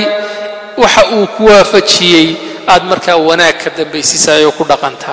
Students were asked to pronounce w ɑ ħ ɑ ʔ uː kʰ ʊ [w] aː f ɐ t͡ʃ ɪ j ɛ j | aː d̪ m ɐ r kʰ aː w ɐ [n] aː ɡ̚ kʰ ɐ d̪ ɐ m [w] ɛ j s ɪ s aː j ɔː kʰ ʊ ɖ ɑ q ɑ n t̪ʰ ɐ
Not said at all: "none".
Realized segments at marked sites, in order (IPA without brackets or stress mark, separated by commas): w, n, b